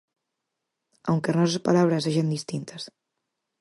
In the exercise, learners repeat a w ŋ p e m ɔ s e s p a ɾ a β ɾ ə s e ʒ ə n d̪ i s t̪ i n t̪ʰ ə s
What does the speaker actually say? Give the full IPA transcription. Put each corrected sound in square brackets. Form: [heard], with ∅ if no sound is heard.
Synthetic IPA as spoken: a w ŋ [k] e [n] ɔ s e s p a [l] a β ɾ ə s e ʒ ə n d̪ i s t̪ i n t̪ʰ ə s